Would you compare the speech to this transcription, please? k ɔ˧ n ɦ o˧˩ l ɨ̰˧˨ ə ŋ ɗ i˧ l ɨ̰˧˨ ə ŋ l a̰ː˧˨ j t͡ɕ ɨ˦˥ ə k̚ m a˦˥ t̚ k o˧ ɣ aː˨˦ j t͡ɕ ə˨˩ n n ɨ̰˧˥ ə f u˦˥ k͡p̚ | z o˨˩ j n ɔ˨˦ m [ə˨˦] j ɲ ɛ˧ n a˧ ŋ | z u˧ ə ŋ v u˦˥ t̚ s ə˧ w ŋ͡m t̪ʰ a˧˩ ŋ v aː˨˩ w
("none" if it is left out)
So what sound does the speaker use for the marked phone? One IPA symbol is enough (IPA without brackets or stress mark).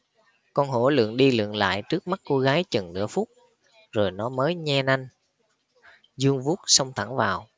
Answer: əː˨˦